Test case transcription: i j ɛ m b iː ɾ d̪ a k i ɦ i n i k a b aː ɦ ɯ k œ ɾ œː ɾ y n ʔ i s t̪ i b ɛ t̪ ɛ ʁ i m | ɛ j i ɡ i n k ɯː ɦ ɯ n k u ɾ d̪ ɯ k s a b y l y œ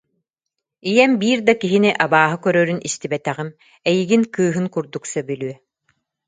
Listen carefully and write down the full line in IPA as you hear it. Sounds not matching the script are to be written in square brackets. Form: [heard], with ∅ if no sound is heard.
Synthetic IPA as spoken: i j ɛ m b iː ɾ d̪ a k i ɦ i n i [ʔ] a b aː ɦ ɯ k œ ɾ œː ɾ y n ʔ i s t̪ i b ɛ t̪ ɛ ʁ i m | ɛ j i ɡ i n k ɯː ɦ ɯ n k u ɾ d̪ [u] k s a b y l y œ